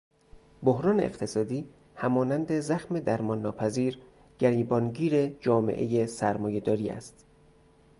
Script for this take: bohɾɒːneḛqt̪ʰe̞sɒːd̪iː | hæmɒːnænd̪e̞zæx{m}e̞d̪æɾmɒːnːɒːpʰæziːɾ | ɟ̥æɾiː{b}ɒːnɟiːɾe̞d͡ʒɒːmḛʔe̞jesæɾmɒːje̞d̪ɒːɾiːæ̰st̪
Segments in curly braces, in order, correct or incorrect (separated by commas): correct, correct